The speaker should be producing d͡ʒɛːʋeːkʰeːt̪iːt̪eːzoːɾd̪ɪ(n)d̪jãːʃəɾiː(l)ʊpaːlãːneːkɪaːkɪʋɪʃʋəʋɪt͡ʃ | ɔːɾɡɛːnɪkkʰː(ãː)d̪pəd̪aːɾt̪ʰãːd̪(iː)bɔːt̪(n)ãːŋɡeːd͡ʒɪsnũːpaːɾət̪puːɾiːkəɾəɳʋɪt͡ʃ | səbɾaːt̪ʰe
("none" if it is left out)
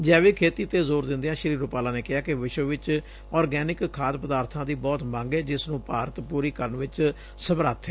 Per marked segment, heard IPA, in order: n, ɾ, aː, iː, m

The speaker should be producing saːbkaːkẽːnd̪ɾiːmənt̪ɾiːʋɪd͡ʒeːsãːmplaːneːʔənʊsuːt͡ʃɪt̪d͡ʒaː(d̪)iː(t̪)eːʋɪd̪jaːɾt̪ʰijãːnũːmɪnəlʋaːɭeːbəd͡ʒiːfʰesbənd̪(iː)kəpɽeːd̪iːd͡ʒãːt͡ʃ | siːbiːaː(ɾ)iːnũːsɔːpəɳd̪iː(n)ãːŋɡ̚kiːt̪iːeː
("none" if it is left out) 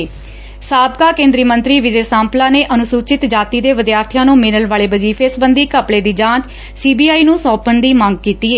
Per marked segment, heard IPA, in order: t̪, d̪, iː, none, m

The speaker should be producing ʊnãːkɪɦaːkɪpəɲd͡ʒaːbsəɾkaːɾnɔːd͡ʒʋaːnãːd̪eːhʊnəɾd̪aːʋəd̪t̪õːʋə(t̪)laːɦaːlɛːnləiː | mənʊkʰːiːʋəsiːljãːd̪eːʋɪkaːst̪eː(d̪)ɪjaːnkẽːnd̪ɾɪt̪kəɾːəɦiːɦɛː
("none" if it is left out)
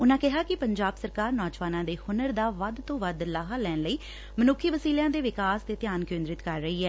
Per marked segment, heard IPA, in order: d̪, t̪

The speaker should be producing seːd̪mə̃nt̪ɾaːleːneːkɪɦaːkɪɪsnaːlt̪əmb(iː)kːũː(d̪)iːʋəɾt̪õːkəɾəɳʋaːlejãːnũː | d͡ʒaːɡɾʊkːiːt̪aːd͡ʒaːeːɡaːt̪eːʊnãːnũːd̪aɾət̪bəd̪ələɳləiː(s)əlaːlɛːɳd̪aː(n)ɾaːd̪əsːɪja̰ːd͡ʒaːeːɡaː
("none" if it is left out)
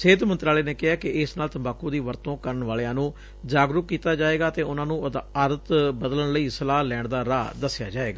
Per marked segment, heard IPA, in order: aː, d̪, s, none

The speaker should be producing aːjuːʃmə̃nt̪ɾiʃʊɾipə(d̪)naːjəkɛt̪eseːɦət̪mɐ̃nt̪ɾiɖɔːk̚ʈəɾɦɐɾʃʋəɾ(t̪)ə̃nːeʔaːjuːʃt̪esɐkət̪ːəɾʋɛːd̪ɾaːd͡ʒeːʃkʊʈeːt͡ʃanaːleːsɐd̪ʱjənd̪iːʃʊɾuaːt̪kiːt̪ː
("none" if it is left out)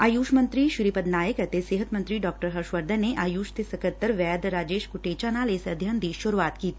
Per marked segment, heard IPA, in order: d̪, d̪

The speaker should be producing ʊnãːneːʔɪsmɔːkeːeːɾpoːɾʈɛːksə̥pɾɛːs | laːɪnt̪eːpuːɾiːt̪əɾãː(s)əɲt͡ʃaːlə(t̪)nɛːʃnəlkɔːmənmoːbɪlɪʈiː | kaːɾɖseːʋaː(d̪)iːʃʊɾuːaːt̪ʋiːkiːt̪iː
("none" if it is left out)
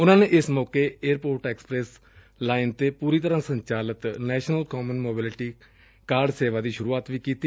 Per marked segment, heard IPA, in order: s, t̪, d̪

